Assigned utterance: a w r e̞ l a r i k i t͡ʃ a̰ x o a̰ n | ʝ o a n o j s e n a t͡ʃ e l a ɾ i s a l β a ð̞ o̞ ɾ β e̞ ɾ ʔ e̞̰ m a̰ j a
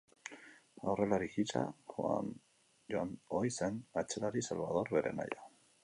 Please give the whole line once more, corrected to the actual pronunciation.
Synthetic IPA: a w r e̞ l a ɾ i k i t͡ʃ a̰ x o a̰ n | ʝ o a n o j s e n a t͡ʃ e l a ɾ i s a l β a ð̞ o̞ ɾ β e̞ ɾ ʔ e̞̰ m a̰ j a